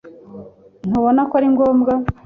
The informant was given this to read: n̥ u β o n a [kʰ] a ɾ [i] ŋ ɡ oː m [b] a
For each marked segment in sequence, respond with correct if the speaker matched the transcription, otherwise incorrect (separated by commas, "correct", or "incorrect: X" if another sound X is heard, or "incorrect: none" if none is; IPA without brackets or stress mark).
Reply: incorrect: k, correct, incorrect: ɡ